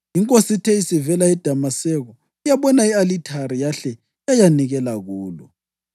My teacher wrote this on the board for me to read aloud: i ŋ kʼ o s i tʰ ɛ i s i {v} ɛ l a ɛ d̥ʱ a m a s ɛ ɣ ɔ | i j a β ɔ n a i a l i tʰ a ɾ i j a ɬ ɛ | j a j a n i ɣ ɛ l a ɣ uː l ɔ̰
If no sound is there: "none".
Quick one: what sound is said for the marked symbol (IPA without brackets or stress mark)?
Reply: v